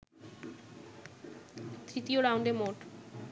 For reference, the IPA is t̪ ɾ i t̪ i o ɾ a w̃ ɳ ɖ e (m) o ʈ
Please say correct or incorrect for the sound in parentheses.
correct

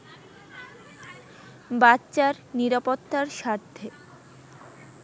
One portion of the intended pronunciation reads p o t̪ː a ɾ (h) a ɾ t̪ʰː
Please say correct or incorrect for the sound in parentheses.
incorrect: ʃ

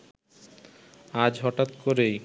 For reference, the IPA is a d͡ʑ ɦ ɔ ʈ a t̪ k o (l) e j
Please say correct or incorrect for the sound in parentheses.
incorrect: ɾ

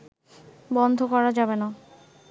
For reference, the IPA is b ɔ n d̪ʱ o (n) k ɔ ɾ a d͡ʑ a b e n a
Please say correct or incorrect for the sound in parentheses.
incorrect: none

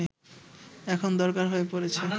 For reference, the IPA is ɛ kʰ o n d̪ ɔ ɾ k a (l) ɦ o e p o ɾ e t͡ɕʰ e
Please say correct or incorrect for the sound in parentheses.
incorrect: ɾ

